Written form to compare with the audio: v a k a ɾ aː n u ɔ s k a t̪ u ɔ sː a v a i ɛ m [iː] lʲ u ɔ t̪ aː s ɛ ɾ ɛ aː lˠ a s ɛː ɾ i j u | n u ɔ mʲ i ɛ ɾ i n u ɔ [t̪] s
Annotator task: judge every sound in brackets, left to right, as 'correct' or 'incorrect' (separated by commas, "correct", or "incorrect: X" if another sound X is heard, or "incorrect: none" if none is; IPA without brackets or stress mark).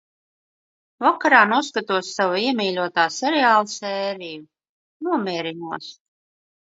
correct, incorrect: none